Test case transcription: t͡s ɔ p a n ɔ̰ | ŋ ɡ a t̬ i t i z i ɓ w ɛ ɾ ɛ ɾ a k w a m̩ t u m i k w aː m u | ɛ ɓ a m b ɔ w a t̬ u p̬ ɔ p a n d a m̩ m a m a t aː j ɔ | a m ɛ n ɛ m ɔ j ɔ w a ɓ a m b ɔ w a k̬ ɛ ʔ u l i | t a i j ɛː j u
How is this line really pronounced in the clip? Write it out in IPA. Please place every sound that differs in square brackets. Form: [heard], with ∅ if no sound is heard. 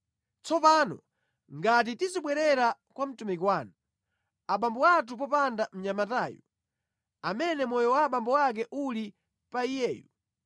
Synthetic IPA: t͡s ɔ p a n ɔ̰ | ŋ ɡ a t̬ i t i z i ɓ w ɛ ɾ ɛ ɾ a k w a m̩ t u m i k w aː [n] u | [a] ɓ a m b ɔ w a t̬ u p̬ ɔ p a n d a m̩ [ɲ] a m a t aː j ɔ | a m ɛ n ɛ m ɔ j ɔ w a ɓ a m b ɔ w a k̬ ɛ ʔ u l i | [p] a i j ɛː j u

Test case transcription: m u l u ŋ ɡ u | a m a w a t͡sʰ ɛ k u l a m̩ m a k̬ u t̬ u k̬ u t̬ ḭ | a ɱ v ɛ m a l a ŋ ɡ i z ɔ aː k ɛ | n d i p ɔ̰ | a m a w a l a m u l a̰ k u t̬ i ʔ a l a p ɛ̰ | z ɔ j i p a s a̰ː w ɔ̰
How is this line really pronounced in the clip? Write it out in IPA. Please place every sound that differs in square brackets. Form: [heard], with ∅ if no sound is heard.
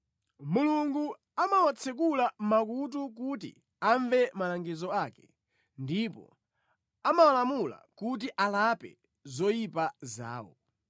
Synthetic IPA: m u l u ŋ ɡ u | a m a w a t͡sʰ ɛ k u l a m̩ m a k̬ u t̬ u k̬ u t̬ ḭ | a ɱ v ɛ m a l a ŋ ɡ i z ɔ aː k ɛ | n d i p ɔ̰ | a m a w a l a m u l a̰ k u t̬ i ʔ a l a p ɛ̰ | z ɔ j i p a [z] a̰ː w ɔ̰

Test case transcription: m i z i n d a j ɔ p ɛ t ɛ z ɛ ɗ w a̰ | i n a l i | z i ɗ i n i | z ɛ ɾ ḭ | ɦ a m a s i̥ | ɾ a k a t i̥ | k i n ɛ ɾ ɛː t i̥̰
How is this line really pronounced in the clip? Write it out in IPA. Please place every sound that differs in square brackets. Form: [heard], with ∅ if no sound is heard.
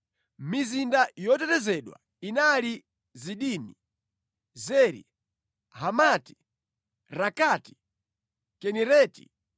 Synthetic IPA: m i z i n d a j ɔ [t] ɛ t ɛ z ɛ ɗ w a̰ | i n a l i | z i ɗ i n i | z ɛ ɾ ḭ | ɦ a m a [t] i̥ | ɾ a k a t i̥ | k [ɛ] n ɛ ɾ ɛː t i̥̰

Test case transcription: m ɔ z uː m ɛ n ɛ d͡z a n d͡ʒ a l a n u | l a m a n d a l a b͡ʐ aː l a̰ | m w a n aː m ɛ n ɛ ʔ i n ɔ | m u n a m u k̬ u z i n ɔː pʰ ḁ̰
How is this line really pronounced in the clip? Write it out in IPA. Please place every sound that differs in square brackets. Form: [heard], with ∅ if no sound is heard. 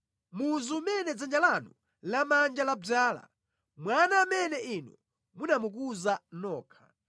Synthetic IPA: m [u] z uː m ɛ n ɛ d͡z a n d͡ʒ a l a n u | l a m a n [d͡ʒ] a l a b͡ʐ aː l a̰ | m w a n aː m ɛ n ɛ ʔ i n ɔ | m u n a m u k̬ u z [a] n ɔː [kʰ] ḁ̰

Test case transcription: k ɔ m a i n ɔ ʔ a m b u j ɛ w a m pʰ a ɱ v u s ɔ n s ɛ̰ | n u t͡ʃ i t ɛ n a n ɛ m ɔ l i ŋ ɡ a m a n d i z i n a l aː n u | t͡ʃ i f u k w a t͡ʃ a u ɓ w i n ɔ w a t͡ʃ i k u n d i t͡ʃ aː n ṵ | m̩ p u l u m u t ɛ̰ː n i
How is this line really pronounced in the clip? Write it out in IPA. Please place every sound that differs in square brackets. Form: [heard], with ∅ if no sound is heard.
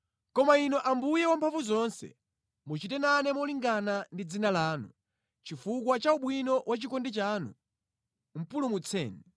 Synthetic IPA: k ɔ m a i n ɔ ʔ a m b u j ɛ w a m pʰ a ɱ v u [z] ɔ n s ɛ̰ | [m] u t͡ʃ i t ɛ n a n ɛ m ɔ l i ŋ ɡ a [n] a n d i [d͡z] i n a l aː n u | t͡ʃ i f u k w a t͡ʃ a u ɓ w i n ɔ w a t͡ʃ i k [ɔ] n d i t͡ʃ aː n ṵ | m̩ p u l u m u [t͡sʰ] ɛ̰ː n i

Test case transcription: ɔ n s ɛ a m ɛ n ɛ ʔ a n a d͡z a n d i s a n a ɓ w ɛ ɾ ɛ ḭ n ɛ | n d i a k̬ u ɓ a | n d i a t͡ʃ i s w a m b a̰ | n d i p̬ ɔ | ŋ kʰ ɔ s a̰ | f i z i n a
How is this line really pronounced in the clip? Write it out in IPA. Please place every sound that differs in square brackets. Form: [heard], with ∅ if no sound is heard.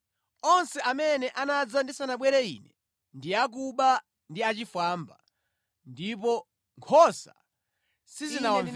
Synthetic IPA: ɔ n s ɛ a m ɛ n ɛ ʔ a n a d͡z a n d i s a n a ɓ w ɛ ɾ ɛ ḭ n ɛ | n d i a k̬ u ɓ a | n d i a t͡ʃ i [f] w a m b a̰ | n d i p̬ ɔ | ŋ kʰ ɔ s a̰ | [s] i z i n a

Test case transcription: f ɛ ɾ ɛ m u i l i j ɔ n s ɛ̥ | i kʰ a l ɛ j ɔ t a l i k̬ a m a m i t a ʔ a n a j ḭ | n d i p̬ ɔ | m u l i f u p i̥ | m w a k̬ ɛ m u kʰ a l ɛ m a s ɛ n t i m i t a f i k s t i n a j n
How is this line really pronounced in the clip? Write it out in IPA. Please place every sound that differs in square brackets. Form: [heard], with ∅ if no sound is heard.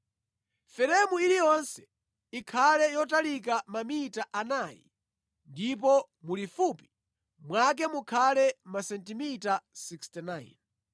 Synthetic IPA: f ɛ ɾ ɛ m u i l i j ɔ n s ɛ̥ | i kʰ a l ɛ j ɔ t a l i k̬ a m a m i t a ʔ a n a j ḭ | n d i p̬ ɔ | m u l i f u p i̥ | m w a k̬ ɛ m u kʰ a l ɛ m a s ɛ n t i m i t a [s] i k s t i n a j n

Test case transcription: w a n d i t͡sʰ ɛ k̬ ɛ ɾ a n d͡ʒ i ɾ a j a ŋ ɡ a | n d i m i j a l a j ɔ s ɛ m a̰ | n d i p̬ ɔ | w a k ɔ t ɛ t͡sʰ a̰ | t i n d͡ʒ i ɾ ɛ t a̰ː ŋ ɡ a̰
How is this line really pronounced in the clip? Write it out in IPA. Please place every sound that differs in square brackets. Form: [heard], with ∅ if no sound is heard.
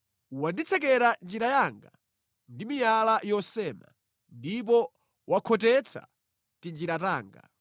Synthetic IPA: w a n d i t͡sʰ ɛ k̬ ɛ ɾ a n d͡ʒ i ɾ a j a ŋ ɡ a | n d i m i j a l a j ɔ s ɛ m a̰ | n d i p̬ ɔ | w a [kʰ] ɔ t ɛ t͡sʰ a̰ | t i n d͡ʒ i ɾ [a] t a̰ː ŋ ɡ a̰

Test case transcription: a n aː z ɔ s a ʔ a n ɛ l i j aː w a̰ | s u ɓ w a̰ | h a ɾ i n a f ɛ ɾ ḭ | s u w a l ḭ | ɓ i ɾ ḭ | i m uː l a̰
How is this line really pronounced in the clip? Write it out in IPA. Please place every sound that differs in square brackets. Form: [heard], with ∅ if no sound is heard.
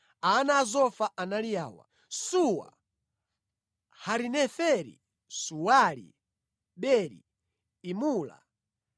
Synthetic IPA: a n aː z ɔ [f] a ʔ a n [a] l i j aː w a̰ | s u [∅] w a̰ | h a ɾ i n [ɛ] f ɛ ɾ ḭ | s u w a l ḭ | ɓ [ɛ] ɾ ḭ | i m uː l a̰

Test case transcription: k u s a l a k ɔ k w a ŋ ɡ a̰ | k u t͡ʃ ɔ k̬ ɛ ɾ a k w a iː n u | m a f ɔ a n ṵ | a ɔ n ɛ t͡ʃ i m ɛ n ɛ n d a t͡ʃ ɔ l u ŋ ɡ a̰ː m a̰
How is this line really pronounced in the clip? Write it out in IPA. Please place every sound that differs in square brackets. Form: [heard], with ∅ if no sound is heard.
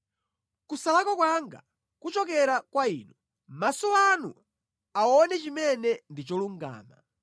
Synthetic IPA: k u s a l a k ɔ k w a ŋ ɡ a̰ | k u t͡ʃ ɔ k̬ ɛ ɾ a k w a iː n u | m a [s] ɔ a n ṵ | a ɔ n ɛ t͡ʃ i m ɛ n ɛ n d [i] t͡ʃ ɔ l u ŋ ɡ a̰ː m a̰

